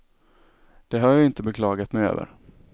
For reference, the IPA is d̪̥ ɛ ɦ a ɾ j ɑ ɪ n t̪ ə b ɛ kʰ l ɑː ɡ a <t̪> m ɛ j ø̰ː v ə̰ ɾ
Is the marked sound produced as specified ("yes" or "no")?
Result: yes